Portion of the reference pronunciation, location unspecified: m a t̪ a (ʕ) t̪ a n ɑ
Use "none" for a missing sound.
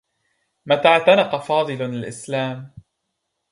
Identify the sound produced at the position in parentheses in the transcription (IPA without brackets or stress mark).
ʕ